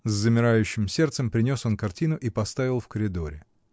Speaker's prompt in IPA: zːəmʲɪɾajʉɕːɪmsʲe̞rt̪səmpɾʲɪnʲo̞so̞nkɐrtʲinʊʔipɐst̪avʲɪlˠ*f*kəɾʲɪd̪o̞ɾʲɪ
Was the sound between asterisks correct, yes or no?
yes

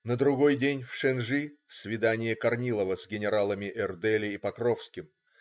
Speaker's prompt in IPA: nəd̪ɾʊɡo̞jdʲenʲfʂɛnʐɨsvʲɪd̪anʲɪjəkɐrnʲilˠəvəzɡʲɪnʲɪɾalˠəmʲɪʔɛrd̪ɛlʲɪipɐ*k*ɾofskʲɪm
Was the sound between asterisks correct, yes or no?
yes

